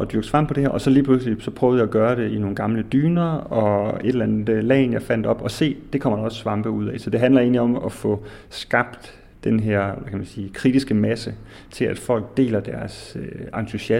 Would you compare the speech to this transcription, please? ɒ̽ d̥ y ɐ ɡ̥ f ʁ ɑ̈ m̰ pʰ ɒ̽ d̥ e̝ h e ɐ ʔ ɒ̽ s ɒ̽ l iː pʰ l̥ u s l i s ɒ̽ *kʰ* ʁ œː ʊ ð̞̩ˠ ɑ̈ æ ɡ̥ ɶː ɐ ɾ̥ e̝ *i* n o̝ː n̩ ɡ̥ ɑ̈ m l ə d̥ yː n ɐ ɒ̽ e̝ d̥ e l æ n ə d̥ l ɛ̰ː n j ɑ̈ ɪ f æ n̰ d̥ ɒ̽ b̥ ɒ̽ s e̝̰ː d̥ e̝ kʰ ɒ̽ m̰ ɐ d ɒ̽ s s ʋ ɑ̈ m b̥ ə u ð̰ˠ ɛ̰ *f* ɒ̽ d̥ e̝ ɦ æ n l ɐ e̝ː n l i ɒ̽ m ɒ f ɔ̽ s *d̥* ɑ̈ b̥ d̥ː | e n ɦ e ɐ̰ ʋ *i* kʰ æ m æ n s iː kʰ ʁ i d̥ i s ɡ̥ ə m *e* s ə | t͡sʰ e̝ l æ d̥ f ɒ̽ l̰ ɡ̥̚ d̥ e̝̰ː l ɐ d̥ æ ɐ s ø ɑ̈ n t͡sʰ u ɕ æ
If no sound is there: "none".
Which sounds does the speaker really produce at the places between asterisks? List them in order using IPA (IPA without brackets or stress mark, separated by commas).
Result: pʰ, i, s, ɡ̥, æ, æ